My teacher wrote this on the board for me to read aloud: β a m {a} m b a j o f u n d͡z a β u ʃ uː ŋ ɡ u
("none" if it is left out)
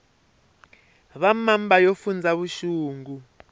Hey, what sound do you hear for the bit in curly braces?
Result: a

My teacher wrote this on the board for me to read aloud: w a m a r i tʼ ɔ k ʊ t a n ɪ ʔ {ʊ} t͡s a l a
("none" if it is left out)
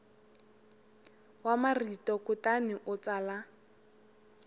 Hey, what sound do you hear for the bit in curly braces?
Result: ʊ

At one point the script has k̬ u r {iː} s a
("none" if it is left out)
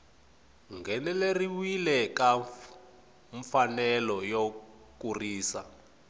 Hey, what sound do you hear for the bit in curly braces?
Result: iː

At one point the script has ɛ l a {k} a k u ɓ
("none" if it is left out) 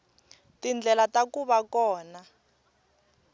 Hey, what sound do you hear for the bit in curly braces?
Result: t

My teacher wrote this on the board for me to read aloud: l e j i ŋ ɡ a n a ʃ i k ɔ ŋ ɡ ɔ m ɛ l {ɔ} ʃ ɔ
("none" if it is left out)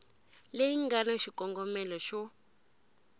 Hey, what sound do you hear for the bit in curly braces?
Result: ɔ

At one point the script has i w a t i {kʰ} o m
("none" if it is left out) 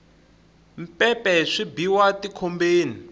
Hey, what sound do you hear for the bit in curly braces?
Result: kʰ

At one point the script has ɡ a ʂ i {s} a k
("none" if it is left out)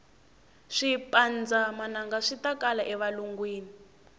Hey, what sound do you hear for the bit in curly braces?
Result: t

